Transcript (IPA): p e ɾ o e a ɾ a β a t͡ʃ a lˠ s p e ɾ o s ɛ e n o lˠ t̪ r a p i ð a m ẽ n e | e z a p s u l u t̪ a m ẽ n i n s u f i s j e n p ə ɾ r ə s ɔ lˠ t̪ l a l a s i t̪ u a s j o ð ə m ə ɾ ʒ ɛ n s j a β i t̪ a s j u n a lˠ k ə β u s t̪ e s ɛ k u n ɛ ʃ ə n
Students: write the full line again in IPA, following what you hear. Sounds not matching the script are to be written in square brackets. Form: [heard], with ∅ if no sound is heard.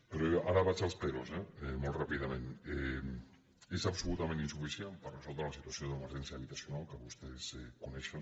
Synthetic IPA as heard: p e ɾ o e a ɾ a β a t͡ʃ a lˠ s p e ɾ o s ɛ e [m] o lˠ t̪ r a p i ð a m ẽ n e | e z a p s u l u t̪ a m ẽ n i n s u f i s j e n p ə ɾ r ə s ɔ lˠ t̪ [ɾ] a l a s i t̪ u a s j o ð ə m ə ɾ ʒ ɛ n s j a β i t̪ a s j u n a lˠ k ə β u s t̪ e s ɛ k u n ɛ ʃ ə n